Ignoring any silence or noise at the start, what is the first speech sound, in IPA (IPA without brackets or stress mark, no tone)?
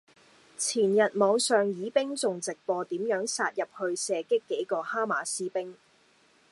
t͡sʰ